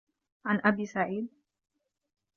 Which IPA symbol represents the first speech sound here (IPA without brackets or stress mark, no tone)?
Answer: ʕ